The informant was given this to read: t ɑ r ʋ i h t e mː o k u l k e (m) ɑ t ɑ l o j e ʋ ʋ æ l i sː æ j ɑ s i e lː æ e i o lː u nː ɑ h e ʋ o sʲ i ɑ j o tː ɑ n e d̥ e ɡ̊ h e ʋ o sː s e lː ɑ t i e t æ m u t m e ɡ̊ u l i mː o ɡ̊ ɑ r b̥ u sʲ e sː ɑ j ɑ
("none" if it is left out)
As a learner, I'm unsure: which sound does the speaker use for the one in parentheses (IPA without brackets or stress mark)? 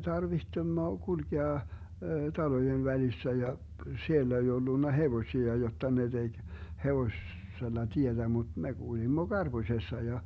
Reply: none